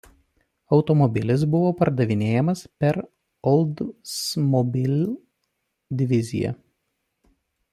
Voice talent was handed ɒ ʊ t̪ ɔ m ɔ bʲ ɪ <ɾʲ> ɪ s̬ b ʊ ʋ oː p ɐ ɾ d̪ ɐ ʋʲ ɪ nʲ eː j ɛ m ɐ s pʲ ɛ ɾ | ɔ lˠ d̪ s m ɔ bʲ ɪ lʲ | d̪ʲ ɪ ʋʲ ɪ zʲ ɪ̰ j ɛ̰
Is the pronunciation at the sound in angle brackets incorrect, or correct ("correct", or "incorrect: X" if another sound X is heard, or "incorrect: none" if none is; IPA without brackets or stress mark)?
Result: incorrect: lʲ